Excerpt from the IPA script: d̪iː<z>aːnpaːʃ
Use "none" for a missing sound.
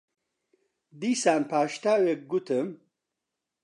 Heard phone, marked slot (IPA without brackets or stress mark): s